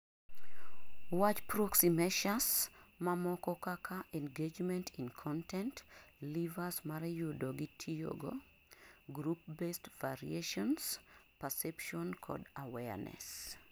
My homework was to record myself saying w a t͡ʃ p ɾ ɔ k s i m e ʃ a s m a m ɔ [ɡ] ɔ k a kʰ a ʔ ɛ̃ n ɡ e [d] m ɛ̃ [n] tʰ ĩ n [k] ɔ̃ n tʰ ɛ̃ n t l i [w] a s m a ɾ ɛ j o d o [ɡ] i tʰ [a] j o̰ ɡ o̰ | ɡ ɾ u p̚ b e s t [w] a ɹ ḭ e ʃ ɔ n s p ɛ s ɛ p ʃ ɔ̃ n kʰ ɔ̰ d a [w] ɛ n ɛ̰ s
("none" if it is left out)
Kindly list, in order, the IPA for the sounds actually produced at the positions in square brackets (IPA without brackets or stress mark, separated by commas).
k, d͡ʒ, n, kʰ, v, ɡ, i, v, w